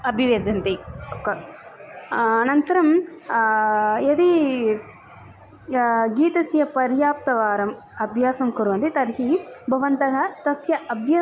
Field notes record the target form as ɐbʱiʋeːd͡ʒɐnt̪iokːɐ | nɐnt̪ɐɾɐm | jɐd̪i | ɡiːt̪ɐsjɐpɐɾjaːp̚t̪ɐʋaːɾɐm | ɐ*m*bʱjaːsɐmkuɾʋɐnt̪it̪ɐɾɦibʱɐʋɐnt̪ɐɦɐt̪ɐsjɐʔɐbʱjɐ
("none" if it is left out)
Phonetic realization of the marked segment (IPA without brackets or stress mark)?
none